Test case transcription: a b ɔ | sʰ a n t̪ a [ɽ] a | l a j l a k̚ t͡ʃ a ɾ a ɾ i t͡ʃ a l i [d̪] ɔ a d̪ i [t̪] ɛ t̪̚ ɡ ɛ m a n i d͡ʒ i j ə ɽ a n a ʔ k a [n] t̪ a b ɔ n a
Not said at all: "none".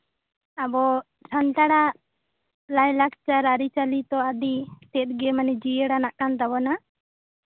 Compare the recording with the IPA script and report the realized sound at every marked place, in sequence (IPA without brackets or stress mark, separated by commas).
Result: ɽ, t̪, t̪, n